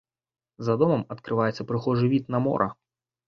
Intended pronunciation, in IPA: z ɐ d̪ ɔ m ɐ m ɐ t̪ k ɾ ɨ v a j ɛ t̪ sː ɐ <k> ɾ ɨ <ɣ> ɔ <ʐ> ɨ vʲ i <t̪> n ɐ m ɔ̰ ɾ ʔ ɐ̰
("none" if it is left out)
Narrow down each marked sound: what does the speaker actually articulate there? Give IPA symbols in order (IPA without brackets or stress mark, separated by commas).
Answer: p, x, ʐ, t̪